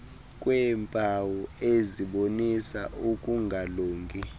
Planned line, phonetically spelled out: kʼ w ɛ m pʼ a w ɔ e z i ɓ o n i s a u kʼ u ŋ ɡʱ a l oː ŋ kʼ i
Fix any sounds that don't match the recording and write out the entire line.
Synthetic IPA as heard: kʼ w ɛ m pʼ a w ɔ e z i ɓ o n i s a u kʼ u ŋ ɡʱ a l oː ŋ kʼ i

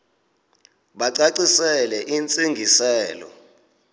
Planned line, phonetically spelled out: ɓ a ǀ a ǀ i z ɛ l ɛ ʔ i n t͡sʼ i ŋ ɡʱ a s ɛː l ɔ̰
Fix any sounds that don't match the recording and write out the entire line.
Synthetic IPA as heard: ɓ a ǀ a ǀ i s ɛ l ɛ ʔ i n t͡sʼ i ŋ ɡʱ i s ɛː l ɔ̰

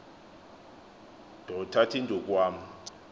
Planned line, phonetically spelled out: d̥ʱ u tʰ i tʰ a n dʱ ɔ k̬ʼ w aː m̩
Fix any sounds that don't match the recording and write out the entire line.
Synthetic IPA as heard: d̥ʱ ɔ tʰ a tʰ i n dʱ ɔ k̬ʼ w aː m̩

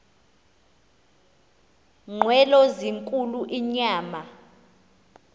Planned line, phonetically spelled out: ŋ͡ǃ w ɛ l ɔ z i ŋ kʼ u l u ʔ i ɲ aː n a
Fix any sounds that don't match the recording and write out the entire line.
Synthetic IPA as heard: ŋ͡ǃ w ɛ l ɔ z i ŋ kʼ u l u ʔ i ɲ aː m a

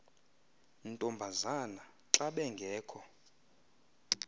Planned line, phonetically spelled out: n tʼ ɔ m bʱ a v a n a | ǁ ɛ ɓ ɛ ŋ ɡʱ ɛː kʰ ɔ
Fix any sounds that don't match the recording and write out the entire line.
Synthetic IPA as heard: n tʼ ɔ m bʱ a z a n a | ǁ a ɓ ɛ ŋ ɡʱ ɛː kʰ ɔ

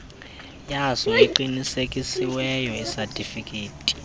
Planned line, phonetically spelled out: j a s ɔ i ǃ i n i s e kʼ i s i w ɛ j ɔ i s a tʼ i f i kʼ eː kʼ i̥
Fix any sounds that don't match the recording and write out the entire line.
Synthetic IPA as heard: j a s ɔ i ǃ i n i s e kʼ i s i w ɛ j ɔ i s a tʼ i f i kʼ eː tʼ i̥

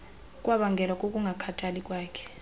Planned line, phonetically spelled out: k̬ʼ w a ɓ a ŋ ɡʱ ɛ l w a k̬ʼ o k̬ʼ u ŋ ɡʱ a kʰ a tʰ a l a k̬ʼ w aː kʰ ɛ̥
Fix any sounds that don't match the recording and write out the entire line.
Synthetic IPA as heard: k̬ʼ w a ɓ a ŋ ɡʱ ɛ l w a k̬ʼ o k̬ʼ u ŋ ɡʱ a kʰ a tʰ a l i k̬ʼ w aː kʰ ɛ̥

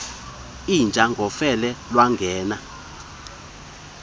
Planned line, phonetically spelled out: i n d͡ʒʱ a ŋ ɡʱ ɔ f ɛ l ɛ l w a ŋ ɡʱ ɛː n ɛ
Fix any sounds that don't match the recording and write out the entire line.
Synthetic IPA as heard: i n d͡ʒʱ a ŋ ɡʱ ɔ f ɛ l ɛ l w a ŋ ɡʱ ɛː n a

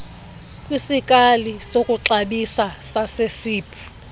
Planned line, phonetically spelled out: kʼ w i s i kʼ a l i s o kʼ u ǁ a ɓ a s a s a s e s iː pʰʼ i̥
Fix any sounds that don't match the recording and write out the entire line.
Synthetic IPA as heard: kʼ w i s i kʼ a l i s o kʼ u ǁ a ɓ i s a s a s e s iː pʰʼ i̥

